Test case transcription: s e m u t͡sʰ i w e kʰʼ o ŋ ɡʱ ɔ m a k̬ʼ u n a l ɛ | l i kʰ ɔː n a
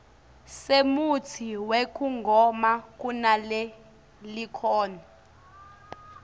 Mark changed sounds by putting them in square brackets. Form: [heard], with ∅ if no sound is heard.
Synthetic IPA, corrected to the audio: s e m u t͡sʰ i w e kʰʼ [u] ŋ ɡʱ ɔ m a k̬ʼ u n a l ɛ | l i kʰ ɔː n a

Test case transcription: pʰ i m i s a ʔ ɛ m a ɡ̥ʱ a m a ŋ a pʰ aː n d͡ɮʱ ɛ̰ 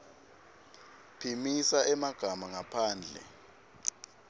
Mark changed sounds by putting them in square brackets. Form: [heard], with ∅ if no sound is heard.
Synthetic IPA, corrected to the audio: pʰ i m i s a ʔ ɛ m a ɡ̥ʱ a m a ŋ a pʰ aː n d͡ɮʱ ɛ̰

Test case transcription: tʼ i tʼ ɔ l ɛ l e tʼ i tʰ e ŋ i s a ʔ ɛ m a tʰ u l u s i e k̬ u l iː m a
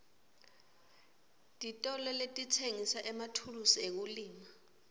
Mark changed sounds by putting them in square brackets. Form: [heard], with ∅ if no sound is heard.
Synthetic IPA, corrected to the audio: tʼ i tʼ ɔ l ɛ l e tʼ i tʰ e ŋ i s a ʔ ɛ m a tʰ u l u s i e k̬ u l iː m a

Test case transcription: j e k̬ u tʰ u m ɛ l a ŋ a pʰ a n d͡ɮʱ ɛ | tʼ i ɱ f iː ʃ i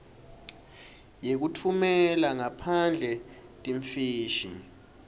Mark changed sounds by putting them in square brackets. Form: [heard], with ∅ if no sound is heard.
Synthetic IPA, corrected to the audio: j e k̬ u tʰ u m ɛ l a ŋ a pʰ a n d͡ɮʱ ɛ | tʼ i ɱ f iː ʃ i

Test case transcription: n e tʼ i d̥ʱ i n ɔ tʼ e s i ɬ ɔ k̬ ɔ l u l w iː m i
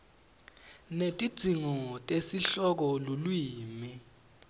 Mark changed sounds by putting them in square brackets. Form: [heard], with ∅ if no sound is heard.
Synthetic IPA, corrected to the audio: n e tʼ i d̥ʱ i [ŋ] ɔ tʼ e s i ɬ ɔ k̬ ɔ l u l w iː m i

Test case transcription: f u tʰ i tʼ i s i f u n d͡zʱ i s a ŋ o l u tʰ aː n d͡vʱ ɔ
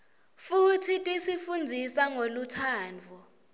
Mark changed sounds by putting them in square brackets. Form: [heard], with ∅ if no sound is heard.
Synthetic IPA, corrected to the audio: f u tʰ i tʼ i s i f u n d͡zʱ i s a ŋ o l u tʰ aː n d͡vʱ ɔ

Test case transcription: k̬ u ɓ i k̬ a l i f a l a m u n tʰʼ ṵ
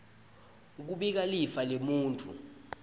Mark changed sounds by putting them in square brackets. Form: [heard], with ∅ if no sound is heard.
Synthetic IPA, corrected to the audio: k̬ u ɓ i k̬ a l i f a l [e] m [uː] n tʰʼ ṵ

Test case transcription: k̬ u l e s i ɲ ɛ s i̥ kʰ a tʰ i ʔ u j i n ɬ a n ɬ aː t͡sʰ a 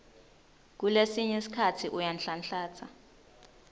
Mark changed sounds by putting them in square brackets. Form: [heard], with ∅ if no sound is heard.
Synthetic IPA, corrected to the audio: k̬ u l e s i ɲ ɛ s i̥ kʰ a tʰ i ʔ u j [a] n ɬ a n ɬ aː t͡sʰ a

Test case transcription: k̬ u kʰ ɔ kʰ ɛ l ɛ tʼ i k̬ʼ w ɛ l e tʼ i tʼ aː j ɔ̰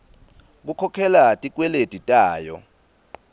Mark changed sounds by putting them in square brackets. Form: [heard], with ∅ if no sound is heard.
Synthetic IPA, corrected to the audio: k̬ u kʰ ɔ kʰ ɛ l [a] tʼ i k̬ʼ w ɛ l e tʼ i tʼ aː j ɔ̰

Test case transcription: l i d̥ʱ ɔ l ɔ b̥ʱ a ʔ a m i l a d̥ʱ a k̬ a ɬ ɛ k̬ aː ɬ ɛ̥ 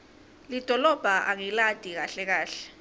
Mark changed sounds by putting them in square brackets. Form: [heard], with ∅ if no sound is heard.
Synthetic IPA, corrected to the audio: l i d̥ʱ ɔ l ɔ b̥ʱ a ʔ a [ŋ] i l a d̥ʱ [i] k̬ a ɬ ɛ k̬ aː ɬ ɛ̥

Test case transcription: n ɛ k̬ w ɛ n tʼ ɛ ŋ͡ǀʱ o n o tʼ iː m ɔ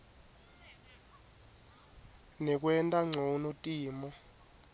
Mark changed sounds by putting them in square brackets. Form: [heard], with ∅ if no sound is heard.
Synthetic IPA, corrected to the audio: n ɛ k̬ w ɛ n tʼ [a] ŋ͡ǀʱ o n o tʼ iː m ɔ

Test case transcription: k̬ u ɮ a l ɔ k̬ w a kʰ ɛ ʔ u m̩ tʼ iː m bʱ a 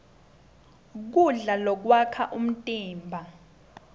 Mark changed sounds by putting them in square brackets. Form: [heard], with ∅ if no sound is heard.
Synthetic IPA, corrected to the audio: k̬ u ɮ a l ɔ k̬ w a kʰ [a] ʔ u m̩ tʼ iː m bʱ a

